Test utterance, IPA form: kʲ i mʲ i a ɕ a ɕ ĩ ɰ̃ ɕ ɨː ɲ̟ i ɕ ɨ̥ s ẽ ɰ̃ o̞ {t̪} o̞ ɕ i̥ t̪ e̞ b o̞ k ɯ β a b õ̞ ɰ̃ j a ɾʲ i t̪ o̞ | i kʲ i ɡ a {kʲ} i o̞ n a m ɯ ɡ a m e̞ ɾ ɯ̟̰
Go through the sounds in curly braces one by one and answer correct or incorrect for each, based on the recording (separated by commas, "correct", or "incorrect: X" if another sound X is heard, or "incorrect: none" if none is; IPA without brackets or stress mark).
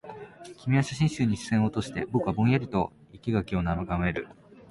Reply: correct, correct